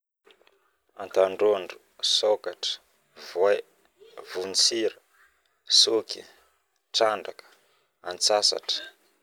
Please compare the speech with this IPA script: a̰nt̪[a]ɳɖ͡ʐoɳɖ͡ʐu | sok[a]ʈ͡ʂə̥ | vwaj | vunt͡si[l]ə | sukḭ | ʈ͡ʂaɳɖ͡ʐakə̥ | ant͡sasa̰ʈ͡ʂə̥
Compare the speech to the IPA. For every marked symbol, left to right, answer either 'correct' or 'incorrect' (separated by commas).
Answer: correct, correct, incorrect